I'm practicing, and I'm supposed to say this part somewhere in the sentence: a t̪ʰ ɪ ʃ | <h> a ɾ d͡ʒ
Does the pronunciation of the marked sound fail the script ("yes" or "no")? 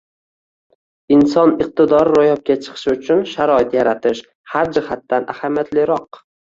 no